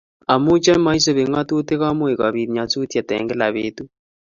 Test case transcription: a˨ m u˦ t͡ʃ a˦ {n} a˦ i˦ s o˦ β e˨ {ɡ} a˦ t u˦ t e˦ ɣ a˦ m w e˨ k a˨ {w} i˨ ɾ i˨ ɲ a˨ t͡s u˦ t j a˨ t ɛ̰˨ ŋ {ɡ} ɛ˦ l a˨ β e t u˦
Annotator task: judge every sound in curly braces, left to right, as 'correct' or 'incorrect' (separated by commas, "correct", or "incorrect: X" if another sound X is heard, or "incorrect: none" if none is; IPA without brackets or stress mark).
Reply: incorrect: m, incorrect: ŋ, incorrect: β, correct